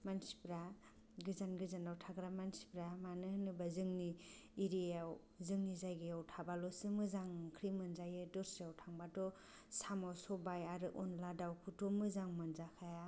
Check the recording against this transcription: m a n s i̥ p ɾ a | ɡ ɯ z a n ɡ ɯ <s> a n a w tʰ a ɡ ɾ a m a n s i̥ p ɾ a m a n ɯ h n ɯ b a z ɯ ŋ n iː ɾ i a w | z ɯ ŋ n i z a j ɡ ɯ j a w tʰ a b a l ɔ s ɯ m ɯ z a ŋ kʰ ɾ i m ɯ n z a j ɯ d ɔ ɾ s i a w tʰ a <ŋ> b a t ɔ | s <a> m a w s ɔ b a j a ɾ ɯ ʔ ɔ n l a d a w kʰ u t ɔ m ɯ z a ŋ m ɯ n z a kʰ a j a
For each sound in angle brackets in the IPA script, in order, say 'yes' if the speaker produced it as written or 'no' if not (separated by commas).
no, yes, yes